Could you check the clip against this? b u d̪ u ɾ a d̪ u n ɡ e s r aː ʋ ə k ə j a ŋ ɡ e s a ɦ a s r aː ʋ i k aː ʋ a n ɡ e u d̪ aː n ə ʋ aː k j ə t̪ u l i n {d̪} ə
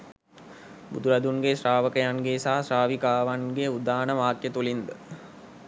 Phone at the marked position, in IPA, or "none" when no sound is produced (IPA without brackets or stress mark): d̪